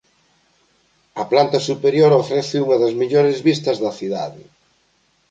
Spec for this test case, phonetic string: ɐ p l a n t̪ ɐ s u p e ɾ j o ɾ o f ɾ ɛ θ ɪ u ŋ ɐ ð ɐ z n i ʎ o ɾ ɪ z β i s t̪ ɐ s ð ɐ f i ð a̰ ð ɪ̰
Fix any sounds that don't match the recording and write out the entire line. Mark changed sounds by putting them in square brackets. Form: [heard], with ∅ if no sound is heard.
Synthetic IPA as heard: ɐ p l a n t̪ ɐ s u p e ɾ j o ɾ o f ɾ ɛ θ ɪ u ŋ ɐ ð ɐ z [m] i ʎ o ɾ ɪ z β i s t̪ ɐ [z] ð ɐ [θ] i ð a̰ ð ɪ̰